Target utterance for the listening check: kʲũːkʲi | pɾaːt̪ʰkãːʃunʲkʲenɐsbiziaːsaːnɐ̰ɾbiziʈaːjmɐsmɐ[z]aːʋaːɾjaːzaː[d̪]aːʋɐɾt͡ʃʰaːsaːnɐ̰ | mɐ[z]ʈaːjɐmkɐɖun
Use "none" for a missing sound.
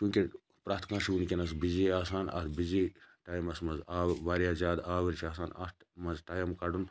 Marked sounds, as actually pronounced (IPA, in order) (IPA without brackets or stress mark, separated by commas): z, d̪, z